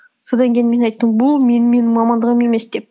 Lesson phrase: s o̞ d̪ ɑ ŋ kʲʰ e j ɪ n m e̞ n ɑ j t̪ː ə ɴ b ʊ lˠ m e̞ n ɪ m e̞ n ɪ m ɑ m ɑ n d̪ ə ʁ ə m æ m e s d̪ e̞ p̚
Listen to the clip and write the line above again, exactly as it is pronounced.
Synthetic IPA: s o̞ d̪ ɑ ŋ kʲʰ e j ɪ n m e̞ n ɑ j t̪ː ə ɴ b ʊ lˠ m e̞ n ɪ m e̞ n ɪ m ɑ m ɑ n d̪ ə ʁ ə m e m e s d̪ e̞ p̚